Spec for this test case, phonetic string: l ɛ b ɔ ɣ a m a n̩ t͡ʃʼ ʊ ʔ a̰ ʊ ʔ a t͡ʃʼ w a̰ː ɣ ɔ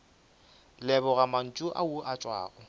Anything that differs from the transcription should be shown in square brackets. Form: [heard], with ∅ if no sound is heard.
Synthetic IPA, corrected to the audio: l ɛ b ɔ ɣ a m a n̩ t͡ʃʼ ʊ ʔ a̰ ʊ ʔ a t͡ʃʼ w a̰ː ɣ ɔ

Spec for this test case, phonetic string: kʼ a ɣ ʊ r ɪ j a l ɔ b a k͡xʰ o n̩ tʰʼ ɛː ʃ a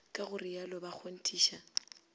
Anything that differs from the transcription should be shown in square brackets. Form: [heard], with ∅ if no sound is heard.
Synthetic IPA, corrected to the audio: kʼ a ɣ ʊ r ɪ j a l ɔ b a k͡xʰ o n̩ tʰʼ [iː] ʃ a

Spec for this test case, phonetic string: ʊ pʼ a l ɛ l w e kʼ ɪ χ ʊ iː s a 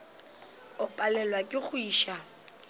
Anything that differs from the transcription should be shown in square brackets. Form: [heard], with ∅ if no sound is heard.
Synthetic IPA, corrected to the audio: ʊ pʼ a l ɛ l w [a] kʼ ɪ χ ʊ iː [ʃ] a

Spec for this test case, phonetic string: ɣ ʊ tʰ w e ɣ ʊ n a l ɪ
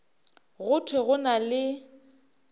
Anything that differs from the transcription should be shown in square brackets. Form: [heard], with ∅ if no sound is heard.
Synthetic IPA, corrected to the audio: ɣ ʊ tʰ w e ɣ ʊ n a l ɪ

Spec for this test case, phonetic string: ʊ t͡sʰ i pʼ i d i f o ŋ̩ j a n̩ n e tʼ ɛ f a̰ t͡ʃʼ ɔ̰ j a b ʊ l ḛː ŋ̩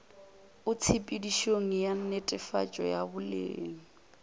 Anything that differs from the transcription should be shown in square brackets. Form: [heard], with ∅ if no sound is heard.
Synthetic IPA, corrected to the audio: ʊ t͡sʰ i pʼ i d i [ʃ] o ŋ̩ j a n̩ n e tʼ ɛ f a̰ t͡ʃʼ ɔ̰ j a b ʊ l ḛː ŋ̩

